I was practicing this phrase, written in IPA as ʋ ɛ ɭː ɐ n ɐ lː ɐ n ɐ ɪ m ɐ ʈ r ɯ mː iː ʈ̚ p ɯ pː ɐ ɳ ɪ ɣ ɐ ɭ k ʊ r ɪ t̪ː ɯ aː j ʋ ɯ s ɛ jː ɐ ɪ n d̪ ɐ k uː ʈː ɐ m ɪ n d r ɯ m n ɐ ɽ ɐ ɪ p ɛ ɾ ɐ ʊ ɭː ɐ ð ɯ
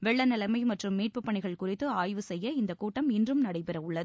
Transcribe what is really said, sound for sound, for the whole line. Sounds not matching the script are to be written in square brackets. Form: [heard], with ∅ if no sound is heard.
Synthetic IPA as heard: ʋ ɛ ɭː ɐ n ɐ [l] ɐ [m] ɐ ɪ m ɐ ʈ r ɯ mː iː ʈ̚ p ɯ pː ɐ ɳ ɪ ɣ ɐ ɭ k ʊ r ɪ t̪ː ɯ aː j ʋ ɯ s ɛ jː ɐ ɪ n d̪ ɐ k uː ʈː ɐ m ɪ n d r ɯ m n ɐ ɽ ɐ ɪ p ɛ ɾ ɐ ʊ ɭː ɐ ð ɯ